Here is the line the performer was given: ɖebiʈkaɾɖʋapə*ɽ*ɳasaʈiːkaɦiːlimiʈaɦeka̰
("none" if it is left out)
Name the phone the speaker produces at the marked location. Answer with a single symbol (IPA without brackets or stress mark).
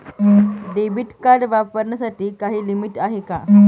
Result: ɾ